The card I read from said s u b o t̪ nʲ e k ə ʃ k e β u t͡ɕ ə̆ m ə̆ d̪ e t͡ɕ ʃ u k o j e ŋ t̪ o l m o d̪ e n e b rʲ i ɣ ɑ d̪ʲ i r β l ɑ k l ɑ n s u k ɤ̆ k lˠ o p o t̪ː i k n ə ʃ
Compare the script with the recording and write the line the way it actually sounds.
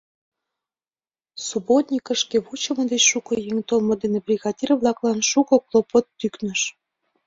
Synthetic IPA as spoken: s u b o t̪ nʲ i k ə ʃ k e β u t͡ɕ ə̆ m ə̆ d̪ e t͡ɕ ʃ u k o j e ŋ t̪ o l m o d̪ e n e b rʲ i ɣ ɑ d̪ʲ i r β l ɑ k l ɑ n ʃ u k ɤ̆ k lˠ o p o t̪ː y k n ə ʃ